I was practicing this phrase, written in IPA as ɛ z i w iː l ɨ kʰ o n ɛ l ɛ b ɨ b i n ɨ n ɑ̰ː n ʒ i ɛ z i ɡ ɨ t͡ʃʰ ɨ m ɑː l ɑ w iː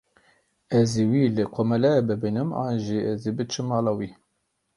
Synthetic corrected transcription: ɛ z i w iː l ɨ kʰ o m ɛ l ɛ b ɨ b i n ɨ m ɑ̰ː n ʒ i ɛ z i b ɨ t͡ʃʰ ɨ m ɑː l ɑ w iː